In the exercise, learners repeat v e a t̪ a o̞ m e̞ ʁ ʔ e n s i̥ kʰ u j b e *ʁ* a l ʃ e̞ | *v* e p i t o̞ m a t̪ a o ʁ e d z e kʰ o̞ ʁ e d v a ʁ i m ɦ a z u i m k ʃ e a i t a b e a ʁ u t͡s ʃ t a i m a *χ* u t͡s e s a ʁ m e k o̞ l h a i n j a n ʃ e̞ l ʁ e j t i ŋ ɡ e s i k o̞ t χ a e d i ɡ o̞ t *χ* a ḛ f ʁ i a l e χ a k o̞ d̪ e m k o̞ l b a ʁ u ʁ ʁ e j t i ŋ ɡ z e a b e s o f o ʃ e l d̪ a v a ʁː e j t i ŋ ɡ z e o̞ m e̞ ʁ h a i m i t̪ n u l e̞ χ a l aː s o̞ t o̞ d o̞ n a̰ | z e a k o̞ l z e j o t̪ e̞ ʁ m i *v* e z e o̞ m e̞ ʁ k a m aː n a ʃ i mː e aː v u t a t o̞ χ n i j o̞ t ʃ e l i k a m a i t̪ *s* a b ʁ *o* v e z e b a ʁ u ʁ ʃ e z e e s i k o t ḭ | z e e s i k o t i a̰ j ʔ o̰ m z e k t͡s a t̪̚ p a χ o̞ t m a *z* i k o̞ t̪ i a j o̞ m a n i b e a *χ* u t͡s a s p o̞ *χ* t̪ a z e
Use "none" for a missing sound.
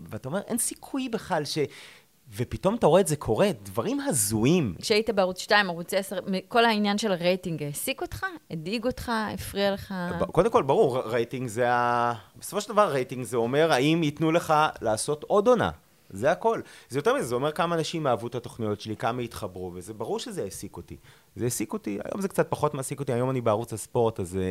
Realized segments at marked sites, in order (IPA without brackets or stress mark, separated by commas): χ, v, ʁ, χ, z, χ, u, s, ʁ, ʁ